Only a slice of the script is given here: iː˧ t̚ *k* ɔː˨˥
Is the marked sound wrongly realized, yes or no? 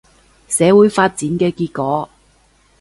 no